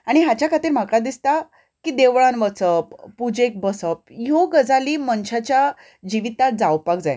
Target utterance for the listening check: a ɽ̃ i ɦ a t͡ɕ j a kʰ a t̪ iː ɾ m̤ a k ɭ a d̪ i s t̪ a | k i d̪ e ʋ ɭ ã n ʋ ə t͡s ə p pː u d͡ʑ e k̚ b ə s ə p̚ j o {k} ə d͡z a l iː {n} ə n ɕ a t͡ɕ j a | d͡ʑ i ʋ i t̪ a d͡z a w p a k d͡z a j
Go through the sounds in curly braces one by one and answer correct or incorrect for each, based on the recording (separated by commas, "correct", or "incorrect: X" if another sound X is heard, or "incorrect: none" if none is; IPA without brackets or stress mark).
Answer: incorrect: ɡ, incorrect: m